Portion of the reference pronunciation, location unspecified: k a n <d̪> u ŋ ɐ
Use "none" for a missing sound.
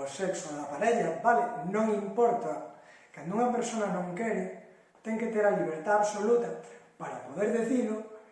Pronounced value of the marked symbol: d̪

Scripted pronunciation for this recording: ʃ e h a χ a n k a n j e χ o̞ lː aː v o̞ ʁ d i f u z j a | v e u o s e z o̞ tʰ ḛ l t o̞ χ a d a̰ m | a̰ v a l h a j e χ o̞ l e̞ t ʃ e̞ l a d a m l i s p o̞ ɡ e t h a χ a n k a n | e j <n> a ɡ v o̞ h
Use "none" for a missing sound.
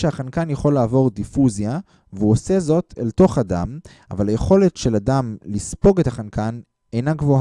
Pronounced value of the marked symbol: n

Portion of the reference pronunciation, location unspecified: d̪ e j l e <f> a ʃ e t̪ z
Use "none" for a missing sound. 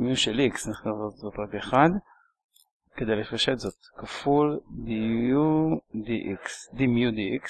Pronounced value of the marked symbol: f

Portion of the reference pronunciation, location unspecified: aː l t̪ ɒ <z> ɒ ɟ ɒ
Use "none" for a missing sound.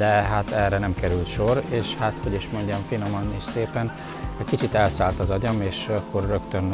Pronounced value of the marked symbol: z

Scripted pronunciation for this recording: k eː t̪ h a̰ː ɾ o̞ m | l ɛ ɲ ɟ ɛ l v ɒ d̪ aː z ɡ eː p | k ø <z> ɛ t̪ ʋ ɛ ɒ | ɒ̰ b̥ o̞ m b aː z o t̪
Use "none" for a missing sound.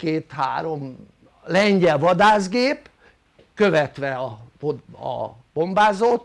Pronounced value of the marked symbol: v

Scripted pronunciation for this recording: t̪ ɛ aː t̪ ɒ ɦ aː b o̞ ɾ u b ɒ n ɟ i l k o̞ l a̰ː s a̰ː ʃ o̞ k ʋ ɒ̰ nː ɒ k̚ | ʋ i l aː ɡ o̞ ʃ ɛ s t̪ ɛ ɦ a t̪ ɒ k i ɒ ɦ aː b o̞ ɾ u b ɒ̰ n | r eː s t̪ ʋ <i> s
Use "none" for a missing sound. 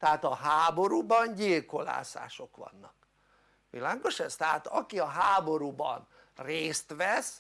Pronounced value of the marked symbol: ɛ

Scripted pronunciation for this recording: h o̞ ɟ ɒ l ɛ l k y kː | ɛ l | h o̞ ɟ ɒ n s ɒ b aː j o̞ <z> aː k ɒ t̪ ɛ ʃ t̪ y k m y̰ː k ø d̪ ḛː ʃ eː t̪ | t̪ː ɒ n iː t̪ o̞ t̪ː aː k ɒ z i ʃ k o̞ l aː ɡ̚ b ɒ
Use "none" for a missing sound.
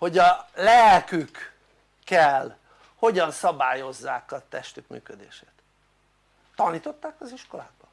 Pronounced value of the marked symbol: zː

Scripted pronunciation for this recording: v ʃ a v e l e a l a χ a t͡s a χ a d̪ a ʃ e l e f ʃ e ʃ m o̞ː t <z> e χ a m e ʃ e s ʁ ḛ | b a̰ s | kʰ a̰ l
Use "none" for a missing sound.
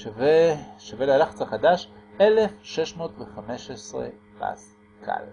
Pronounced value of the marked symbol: v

